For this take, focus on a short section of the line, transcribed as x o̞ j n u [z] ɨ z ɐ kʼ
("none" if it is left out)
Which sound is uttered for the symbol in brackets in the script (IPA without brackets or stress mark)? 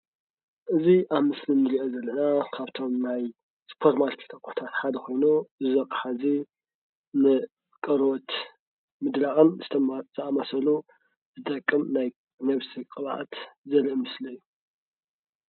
z